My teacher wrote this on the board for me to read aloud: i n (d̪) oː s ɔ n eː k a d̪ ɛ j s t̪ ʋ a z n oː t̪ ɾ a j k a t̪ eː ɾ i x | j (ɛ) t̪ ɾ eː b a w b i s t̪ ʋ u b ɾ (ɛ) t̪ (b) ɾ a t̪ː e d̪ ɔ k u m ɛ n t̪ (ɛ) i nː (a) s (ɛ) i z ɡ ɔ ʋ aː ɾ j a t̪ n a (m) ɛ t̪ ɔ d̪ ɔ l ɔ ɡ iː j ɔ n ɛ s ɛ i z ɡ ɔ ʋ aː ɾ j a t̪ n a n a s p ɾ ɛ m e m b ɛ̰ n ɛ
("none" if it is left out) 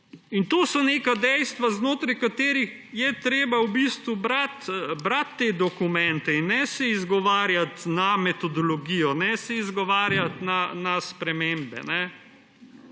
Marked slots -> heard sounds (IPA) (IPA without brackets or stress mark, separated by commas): t̪, ɛ, a, b, ɛ, ɛ, ɛ, m